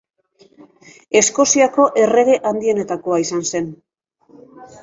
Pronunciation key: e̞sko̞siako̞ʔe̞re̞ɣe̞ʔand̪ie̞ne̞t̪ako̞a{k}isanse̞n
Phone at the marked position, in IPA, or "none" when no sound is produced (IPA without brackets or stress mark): none